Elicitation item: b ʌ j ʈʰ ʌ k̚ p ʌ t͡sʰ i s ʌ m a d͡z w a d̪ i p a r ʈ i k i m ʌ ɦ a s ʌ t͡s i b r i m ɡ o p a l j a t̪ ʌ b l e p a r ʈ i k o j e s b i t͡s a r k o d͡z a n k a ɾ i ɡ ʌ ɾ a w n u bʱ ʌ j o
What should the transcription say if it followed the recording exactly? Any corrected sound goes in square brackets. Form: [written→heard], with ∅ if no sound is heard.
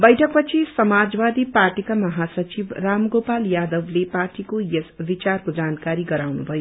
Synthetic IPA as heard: b ʌ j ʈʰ ʌ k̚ p ʌ t͡sʰ i s ʌ m a d͡z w a d̪ i p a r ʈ i k [i→a] m ʌ ɦ a s ʌ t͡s i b r [i→a] m ɡ o p a l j a [t̪→d̪] ʌ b l e p a r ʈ i k o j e s b i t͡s a r k o d͡z a n k a ɾ i ɡ ʌ ɾ a w n u bʱ ʌ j o